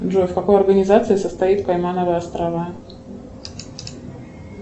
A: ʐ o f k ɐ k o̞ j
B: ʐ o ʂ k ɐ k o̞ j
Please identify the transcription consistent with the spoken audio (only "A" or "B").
A